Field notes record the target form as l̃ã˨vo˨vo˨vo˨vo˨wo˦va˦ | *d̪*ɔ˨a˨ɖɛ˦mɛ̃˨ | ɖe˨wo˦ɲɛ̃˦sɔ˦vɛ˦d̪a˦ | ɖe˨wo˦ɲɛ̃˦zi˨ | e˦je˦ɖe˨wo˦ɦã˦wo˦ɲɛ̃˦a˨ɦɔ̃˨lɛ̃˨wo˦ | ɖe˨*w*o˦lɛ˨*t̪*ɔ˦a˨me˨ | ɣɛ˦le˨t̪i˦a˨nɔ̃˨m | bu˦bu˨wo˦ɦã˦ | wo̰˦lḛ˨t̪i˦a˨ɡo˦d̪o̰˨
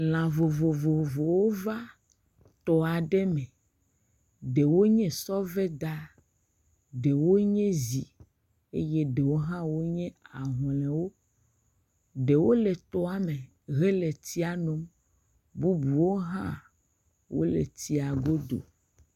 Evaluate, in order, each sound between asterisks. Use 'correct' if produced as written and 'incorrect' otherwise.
incorrect: t̪, correct, correct

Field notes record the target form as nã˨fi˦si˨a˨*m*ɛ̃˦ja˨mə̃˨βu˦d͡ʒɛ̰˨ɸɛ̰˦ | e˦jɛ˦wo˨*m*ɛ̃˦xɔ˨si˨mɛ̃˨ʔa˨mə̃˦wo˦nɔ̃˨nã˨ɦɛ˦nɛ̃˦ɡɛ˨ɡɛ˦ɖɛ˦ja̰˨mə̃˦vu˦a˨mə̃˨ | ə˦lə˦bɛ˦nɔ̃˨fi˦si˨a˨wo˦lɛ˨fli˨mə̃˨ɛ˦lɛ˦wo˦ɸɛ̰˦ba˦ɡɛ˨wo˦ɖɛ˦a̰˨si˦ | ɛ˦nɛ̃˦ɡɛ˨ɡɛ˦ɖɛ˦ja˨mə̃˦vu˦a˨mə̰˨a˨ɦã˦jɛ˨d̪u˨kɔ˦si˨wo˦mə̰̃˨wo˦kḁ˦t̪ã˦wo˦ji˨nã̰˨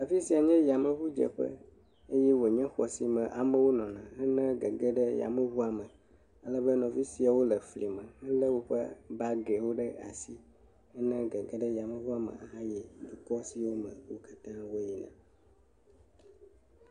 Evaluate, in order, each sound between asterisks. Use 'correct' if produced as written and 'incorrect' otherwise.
incorrect: ɲ, incorrect: ɲ

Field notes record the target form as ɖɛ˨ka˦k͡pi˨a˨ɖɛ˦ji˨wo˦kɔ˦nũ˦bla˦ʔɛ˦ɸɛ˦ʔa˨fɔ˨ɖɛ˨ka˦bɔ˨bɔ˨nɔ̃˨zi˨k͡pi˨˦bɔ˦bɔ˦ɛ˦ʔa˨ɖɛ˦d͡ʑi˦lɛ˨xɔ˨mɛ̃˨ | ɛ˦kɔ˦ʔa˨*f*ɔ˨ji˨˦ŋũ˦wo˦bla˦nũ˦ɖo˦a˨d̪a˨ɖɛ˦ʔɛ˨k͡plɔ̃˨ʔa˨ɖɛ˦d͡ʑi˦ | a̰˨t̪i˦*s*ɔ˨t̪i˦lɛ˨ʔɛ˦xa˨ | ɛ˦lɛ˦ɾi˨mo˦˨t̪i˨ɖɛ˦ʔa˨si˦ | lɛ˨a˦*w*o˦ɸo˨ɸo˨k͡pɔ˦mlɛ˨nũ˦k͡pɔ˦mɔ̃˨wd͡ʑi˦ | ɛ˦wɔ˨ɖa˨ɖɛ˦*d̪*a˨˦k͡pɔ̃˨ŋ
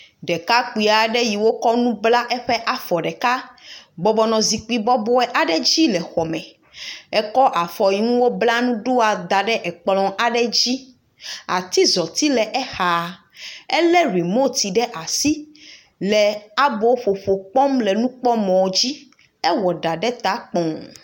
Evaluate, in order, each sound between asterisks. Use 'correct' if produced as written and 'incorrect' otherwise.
correct, incorrect: z, incorrect: b, incorrect: t̪

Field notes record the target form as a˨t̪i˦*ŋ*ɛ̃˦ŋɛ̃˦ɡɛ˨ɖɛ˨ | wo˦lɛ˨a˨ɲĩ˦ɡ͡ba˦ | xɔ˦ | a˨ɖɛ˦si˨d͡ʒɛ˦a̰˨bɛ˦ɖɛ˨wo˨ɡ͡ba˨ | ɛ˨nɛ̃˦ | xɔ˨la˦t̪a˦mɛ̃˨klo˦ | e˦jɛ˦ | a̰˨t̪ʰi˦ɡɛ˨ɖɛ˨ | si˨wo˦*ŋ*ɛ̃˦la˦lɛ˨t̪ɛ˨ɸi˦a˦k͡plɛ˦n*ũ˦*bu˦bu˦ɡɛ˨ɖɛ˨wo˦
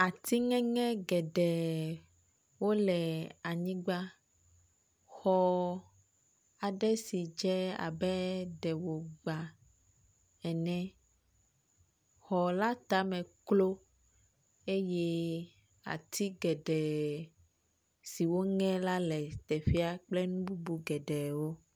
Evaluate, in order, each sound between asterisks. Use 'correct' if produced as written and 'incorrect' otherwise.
correct, correct, correct

